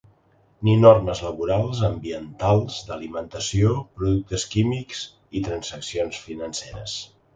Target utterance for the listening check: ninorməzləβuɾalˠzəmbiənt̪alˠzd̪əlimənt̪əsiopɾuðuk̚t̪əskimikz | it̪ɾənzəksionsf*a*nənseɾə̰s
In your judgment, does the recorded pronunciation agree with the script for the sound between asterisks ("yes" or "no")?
no